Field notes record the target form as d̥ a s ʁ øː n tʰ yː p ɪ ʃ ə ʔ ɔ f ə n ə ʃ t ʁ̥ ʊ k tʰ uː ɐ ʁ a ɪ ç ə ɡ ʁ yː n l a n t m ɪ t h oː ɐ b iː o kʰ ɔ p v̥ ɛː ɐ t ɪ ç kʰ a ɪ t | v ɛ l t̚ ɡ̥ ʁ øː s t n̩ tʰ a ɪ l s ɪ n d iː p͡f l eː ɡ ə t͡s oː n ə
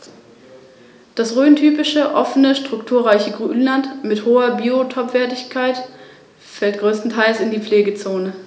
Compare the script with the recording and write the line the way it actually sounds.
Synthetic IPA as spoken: d̥ a s ʁ øː n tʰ yː p ɪ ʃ ə ʔ ɔ f ə n ə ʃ t ʁ̥ ʊ k tʰ uː ɐ ʁ a ɪ ç ə ɡ ʁ yː n l a n t m ɪ t h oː ɐ b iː o tʰ ɔ p v̥ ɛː ɐ t ɪ ç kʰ a ɪ t | f ɛ l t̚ ɡ̥ ʁ øː s t n̩ tʰ a ɪ l s ɪ n d iː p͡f l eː ɡ ə t͡s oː n ə